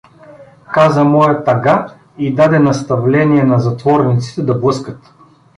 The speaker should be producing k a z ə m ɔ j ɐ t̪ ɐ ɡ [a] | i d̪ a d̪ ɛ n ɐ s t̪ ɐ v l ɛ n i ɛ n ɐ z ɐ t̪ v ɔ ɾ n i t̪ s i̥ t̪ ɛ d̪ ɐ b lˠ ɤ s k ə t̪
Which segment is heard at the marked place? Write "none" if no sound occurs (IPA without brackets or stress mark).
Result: a